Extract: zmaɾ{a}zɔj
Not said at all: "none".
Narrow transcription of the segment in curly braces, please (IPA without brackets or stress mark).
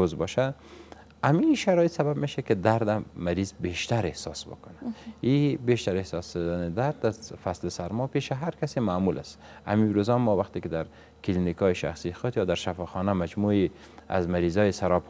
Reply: i